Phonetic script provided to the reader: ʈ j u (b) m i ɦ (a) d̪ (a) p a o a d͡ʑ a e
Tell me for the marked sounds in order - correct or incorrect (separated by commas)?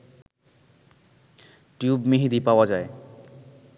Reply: correct, incorrect, incorrect